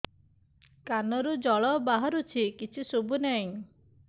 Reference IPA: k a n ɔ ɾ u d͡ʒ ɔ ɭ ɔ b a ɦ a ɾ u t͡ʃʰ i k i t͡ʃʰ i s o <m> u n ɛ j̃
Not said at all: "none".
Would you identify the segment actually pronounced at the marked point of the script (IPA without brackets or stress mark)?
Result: b